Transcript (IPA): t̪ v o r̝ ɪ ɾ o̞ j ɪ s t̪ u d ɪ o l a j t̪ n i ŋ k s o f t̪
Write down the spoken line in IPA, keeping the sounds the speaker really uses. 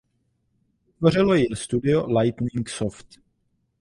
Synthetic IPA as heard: t̪ v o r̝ ɪ l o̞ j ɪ s t̪ u d ɪ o l a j t̪ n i ŋ k s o f t̪